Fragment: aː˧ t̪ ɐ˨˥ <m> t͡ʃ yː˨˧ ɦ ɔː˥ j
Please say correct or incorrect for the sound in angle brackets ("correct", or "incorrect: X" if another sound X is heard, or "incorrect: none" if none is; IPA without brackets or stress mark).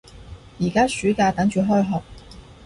incorrect: ŋ